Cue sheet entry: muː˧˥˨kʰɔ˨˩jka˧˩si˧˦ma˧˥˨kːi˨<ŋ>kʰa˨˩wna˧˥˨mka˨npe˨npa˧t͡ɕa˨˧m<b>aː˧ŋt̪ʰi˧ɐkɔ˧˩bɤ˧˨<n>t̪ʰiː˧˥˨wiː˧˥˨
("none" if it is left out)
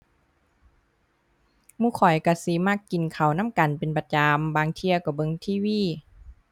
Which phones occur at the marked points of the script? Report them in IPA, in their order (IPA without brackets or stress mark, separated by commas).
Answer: n, b, ŋ